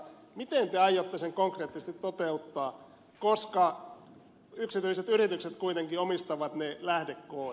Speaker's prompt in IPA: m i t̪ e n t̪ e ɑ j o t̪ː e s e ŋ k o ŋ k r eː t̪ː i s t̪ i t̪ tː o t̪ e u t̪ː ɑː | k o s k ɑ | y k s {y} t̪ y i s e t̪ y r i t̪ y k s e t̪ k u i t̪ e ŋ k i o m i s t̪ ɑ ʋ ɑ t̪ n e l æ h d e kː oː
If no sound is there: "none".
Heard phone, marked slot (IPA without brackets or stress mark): i